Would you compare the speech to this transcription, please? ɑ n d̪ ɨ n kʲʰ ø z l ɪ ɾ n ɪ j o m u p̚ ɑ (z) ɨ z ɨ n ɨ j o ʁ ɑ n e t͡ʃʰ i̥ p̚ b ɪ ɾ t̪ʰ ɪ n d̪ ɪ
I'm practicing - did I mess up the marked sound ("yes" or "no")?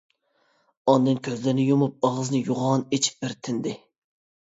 yes